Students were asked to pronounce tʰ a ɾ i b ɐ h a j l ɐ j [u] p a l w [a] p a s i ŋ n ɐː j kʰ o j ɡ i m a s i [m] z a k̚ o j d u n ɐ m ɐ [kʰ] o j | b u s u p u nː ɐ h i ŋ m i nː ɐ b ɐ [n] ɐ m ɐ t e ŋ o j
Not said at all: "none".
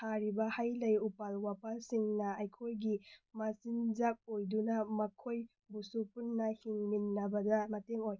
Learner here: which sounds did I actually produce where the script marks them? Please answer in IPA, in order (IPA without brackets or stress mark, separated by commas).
u, a, n, kʰ, d